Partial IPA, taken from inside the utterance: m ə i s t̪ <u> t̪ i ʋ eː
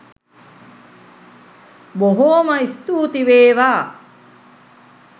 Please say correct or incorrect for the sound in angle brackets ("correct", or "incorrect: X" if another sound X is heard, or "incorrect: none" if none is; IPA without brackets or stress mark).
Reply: incorrect: uː